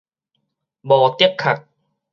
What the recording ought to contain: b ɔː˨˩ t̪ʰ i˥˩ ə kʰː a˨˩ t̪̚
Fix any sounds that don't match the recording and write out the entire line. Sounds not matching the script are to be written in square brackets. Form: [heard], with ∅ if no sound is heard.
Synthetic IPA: b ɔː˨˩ [t̪] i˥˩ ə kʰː a˨˩ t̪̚